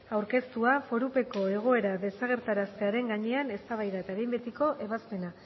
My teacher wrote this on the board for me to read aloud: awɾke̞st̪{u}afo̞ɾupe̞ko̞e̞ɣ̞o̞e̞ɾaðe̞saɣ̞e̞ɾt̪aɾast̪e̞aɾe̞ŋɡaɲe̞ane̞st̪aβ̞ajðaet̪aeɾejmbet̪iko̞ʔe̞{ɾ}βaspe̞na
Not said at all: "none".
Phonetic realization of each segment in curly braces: u, none

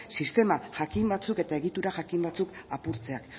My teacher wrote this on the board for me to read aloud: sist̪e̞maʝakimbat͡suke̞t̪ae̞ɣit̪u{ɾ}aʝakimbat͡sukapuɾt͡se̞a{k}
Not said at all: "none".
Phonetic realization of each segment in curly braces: ɾ, k

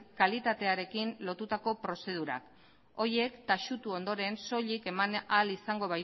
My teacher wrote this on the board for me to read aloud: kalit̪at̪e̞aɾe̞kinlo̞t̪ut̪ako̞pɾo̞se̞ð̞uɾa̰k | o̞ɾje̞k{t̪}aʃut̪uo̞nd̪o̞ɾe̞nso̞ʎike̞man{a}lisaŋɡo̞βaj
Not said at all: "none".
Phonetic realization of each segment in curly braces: t̪, a

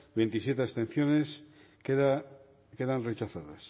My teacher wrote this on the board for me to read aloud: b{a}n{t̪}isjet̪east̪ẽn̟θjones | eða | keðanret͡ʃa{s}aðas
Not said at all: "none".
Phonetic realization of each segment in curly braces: e, t̪, θ

